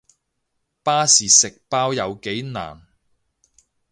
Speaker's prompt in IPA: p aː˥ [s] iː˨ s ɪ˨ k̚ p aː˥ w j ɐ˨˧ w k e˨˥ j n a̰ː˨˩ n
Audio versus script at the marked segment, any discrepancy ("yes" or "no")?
no